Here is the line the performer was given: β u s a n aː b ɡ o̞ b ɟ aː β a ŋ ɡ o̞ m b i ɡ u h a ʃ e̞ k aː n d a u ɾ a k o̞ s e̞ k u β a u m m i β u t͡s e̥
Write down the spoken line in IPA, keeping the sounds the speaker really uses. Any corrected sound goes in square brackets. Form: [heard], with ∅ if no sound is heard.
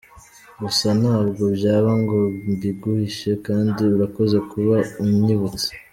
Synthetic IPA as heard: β u s a n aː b ɡ o̞ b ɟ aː β a ŋ ɡ o̞ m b i ɡ u h [i] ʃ e̞ k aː n d [i] u ɾ a k o̞ [z] e̞ k u β a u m [ɲ] i β u t͡s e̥